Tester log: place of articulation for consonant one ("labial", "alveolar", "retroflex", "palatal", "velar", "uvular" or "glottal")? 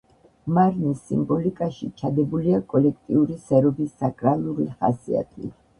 labial